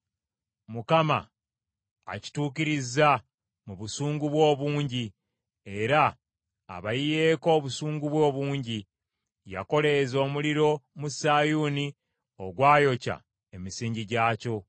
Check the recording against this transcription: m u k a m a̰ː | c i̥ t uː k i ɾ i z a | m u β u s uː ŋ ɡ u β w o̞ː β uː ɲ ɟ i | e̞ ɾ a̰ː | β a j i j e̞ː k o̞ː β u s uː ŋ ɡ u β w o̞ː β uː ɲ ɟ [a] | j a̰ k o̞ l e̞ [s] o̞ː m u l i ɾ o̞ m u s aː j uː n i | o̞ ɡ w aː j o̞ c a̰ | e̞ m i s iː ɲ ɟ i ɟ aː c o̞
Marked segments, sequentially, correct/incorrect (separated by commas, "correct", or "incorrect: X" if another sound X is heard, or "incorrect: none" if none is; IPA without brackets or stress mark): incorrect: i, incorrect: z